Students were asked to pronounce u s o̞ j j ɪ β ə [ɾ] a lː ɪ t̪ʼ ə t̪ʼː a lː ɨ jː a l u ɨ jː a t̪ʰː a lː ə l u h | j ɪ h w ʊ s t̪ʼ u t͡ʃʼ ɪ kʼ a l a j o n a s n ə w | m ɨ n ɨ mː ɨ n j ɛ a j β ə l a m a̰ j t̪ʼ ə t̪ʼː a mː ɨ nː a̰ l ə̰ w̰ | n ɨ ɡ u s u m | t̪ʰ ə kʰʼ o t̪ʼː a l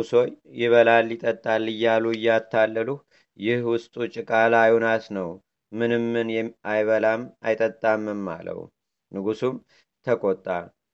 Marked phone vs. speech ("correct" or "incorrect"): incorrect